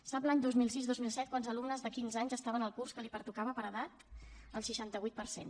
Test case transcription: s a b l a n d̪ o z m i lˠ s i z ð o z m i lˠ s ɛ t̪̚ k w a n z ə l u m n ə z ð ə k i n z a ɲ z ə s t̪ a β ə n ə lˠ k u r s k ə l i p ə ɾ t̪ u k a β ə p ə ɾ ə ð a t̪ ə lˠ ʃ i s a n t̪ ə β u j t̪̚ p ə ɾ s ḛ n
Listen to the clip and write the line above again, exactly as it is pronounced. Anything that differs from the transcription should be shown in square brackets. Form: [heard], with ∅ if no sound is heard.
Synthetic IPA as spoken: s a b l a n d̪ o z m i lˠ s i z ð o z m i lˠ s ɛ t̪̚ k w a n z ə l u m n ə z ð ə k i n z a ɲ z ə s t̪ a β ə n ə lˠ k u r s k ə l i p ə ɾ t̪ u k a β ə p ə ɾ ə ð a t̪ ə lˠ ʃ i [ʃ] a n t̪ ə β u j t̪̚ p ə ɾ s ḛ n